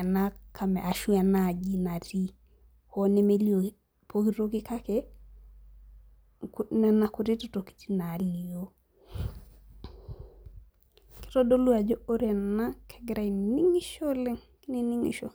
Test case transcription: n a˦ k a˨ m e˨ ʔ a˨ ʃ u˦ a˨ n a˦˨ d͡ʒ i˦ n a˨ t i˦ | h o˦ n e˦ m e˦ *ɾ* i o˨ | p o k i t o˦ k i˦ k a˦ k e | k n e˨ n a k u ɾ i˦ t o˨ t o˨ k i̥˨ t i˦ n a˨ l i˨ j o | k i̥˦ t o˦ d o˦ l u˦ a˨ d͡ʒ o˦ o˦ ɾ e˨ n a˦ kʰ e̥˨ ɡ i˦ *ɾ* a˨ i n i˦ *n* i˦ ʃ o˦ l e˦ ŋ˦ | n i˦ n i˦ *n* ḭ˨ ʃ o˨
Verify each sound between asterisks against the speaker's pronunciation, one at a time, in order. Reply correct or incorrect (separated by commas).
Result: incorrect, correct, incorrect, incorrect